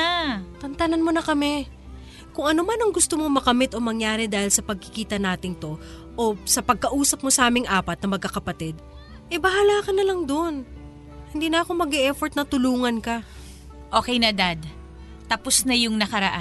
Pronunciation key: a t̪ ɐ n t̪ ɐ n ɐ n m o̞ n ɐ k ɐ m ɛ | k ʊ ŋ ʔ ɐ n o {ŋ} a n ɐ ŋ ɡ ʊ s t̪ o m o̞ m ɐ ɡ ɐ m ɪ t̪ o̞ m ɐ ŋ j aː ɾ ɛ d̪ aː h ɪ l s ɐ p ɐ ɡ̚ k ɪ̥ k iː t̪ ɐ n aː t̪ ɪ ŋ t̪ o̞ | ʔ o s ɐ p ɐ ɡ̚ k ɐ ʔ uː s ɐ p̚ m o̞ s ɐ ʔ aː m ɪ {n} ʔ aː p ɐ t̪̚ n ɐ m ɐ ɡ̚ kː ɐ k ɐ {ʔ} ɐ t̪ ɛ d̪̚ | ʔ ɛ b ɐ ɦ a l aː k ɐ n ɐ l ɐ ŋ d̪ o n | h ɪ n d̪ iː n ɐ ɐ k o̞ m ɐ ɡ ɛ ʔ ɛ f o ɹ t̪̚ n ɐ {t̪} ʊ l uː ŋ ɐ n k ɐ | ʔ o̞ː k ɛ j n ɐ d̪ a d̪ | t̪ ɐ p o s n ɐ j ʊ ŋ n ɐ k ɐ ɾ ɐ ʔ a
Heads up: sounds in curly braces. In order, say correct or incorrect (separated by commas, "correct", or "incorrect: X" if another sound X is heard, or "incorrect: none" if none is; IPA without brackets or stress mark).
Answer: incorrect: m, incorrect: ŋ, incorrect: p, correct